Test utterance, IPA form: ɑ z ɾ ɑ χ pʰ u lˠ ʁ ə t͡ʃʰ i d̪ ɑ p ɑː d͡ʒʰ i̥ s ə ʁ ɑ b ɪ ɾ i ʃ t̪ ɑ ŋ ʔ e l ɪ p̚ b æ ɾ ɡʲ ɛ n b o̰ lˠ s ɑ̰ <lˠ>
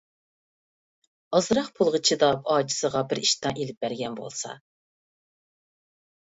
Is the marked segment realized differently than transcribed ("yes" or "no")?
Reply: yes